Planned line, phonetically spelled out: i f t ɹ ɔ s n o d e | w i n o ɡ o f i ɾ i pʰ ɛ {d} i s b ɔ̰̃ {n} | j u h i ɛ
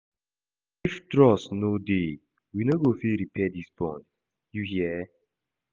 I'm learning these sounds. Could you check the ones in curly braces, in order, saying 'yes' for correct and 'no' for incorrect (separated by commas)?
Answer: yes, yes